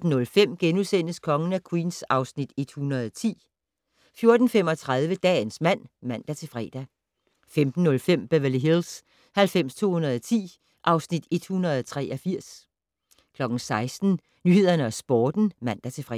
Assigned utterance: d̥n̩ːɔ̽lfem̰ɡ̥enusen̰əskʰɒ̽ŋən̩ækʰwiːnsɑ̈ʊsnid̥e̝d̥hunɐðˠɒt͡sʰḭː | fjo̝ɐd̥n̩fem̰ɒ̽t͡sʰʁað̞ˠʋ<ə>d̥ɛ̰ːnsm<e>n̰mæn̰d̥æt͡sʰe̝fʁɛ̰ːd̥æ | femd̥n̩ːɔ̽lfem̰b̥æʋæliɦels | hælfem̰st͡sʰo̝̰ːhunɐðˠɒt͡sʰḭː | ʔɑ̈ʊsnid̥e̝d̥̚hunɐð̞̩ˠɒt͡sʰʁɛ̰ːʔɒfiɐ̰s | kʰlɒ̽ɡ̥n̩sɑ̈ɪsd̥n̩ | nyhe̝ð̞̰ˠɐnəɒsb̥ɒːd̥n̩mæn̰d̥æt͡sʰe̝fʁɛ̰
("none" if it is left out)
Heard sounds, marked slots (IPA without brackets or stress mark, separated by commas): ə, æ